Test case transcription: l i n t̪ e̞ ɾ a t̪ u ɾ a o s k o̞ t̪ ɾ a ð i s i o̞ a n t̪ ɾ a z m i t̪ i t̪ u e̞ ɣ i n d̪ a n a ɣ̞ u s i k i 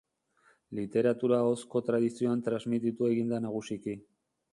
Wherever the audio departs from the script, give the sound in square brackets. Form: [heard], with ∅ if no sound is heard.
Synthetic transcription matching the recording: l i [∅] t̪ e̞ ɾ a t̪ u ɾ a o s k o̞ t̪ ɾ a ð i s i o̞ a n t̪ ɾ a z m i t̪ i t̪ u e̞ ɣ i n d̪ a n a ɣ̞ u s i k i